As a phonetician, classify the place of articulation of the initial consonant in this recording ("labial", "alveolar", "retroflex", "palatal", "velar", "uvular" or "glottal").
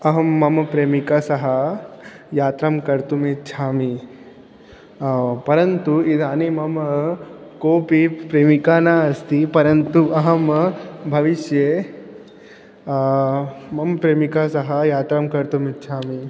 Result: glottal